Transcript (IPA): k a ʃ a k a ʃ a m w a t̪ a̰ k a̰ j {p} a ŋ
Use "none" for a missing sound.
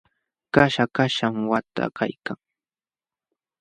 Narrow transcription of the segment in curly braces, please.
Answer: k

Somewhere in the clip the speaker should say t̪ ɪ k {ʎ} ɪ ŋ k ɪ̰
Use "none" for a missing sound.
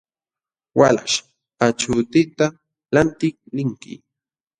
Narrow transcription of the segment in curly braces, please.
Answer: l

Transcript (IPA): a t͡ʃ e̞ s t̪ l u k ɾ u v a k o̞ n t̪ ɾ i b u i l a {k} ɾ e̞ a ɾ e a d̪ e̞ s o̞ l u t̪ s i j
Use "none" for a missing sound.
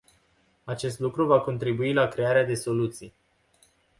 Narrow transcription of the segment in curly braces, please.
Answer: k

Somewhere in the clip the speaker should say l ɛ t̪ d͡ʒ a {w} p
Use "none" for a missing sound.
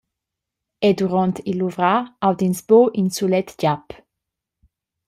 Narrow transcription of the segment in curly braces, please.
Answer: none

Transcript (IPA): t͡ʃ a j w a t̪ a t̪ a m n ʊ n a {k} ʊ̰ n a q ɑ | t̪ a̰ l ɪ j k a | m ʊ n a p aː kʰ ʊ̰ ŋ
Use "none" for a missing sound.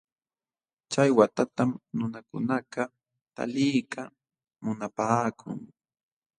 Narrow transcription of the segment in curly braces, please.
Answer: k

